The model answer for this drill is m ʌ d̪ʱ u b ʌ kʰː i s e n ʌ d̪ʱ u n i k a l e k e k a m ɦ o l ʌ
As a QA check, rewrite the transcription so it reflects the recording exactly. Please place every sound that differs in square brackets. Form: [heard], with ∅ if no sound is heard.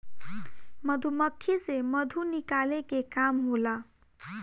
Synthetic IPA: m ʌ d̪ʱ u [m] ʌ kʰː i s e [m] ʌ d̪ʱ u n i k a l e k e k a m ɦ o l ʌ